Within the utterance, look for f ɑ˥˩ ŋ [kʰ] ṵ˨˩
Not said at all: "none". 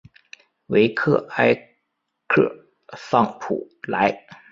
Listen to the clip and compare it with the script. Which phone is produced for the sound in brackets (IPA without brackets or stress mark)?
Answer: pʰ